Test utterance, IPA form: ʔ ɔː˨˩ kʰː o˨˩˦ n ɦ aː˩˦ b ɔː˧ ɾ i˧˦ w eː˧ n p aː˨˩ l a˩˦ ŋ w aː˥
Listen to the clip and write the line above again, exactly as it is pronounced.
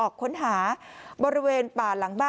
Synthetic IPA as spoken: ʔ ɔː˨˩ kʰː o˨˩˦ n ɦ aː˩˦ b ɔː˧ ɾ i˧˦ w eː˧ n p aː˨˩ l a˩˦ ŋ b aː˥